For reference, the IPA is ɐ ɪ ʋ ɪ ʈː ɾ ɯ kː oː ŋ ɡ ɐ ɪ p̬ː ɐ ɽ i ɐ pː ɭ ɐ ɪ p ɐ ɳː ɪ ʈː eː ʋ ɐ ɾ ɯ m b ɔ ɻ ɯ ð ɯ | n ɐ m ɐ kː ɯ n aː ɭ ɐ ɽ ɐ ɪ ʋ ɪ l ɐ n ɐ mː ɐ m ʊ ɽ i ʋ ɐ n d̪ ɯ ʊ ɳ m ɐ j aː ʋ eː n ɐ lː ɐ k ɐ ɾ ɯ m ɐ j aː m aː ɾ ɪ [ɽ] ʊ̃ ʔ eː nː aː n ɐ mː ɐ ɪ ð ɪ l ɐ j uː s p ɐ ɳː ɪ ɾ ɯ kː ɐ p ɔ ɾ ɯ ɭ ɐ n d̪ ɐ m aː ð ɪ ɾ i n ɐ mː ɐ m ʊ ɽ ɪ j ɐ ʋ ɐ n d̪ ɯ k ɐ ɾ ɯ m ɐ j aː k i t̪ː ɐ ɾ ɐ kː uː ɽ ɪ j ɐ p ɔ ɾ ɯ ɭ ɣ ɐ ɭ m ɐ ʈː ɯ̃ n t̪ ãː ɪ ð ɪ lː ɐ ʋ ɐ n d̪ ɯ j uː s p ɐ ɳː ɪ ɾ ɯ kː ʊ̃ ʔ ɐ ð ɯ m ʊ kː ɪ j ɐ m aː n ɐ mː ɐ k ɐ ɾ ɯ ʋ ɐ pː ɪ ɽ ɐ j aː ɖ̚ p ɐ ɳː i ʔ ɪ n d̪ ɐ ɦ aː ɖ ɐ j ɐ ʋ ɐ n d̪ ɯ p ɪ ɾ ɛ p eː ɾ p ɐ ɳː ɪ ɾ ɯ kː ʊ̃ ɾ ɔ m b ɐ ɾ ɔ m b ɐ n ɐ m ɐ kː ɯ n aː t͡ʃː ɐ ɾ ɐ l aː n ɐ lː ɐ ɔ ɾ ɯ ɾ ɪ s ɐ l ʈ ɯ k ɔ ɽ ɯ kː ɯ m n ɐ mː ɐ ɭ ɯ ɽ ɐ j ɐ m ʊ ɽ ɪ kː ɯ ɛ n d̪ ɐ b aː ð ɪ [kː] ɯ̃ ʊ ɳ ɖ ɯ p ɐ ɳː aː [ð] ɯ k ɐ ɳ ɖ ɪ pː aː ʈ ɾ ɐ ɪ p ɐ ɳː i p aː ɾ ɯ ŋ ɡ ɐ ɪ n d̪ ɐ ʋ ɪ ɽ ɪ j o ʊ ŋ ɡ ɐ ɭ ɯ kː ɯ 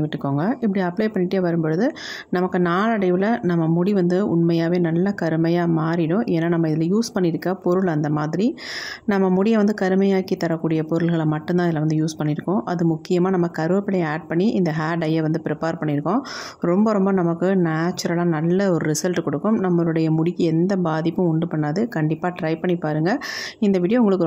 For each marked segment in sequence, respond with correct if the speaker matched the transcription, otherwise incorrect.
correct, incorrect, correct

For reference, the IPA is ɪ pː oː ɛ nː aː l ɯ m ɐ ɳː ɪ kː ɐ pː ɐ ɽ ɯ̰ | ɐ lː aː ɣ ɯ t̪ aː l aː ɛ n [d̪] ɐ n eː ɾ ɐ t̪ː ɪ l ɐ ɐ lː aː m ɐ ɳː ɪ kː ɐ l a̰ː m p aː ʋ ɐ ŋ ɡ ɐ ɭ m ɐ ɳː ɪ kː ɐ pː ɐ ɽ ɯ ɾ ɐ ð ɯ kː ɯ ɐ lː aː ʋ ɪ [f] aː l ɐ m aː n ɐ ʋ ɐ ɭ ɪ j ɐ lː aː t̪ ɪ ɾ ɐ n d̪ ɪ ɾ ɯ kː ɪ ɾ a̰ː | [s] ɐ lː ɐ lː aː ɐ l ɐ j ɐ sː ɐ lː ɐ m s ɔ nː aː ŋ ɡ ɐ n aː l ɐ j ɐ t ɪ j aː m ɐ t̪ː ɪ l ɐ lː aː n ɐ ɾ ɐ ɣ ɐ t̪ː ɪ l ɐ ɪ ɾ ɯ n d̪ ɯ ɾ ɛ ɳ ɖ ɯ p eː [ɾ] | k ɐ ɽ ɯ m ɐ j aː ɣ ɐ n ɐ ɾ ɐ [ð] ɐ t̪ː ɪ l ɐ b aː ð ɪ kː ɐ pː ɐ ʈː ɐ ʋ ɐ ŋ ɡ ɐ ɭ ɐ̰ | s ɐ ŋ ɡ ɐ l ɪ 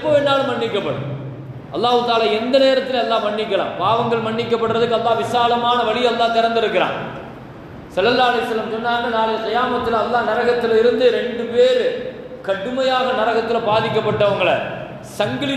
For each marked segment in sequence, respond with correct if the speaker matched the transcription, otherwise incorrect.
correct, incorrect, correct, correct, incorrect

